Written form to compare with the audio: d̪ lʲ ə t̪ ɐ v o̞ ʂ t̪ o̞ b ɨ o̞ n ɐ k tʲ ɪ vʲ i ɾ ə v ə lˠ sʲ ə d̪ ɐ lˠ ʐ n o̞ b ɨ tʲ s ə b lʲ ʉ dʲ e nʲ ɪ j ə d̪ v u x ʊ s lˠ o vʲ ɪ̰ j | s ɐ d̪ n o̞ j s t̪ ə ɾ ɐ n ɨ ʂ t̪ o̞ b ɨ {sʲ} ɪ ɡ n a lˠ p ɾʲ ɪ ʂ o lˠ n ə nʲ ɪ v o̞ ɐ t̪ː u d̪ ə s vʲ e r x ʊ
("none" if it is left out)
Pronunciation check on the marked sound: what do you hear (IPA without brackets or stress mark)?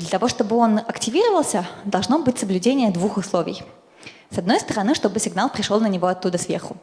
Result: sʲ